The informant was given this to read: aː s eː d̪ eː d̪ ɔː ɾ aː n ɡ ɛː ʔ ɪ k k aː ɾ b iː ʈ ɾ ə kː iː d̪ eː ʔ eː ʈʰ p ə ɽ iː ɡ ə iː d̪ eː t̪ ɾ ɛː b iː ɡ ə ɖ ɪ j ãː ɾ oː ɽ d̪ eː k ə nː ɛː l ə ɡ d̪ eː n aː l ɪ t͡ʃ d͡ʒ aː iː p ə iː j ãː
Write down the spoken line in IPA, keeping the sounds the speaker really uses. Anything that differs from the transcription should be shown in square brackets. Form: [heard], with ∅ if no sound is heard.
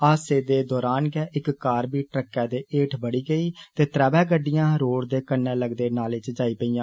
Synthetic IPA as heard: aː s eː d̪ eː d̪ ɔː ɾ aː n ɡ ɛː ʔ ɪ k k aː ɾ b iː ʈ ɾ ə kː [ɛː] d̪ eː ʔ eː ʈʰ [b] ə ɽ iː ɡ ə iː [t̪] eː t̪ ɾ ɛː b [ɛː] ɡ ə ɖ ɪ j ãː ɾ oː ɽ d̪ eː k ə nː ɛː l ə ɡ d̪ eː n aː l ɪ t͡ʃ d͡ʒ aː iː p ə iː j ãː